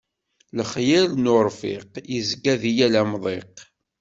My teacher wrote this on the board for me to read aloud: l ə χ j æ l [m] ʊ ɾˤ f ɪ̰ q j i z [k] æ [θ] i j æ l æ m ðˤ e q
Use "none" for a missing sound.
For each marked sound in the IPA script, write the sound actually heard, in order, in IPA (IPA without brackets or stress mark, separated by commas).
n, ɡ, ð